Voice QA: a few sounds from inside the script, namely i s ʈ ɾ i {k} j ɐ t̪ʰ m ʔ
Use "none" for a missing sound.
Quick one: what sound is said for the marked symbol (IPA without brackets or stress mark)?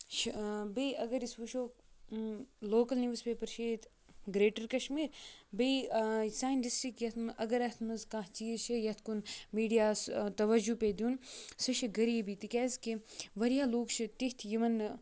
k